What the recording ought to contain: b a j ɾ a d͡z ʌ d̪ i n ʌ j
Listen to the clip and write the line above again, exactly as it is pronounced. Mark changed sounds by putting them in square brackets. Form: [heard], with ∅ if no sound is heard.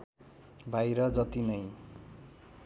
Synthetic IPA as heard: b a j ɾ [ʌ] d͡z ʌ [t̪] i n ʌ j